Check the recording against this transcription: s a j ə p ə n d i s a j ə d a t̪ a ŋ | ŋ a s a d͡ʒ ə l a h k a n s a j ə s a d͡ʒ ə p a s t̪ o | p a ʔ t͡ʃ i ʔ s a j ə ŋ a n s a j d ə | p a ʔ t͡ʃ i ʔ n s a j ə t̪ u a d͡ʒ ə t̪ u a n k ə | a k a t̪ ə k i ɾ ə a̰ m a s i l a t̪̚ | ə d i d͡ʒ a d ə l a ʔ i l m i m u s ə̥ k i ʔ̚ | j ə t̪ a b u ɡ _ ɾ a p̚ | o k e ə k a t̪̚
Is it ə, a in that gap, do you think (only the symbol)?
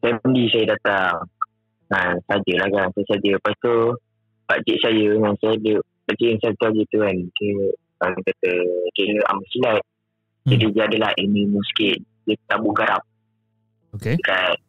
a